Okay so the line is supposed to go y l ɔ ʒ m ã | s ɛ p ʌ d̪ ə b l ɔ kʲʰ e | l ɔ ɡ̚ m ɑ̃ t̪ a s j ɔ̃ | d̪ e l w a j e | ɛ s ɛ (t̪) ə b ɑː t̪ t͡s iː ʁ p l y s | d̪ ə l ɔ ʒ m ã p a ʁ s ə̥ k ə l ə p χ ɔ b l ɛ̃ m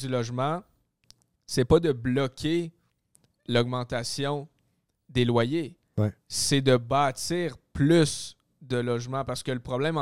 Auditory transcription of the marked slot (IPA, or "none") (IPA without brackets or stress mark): d̪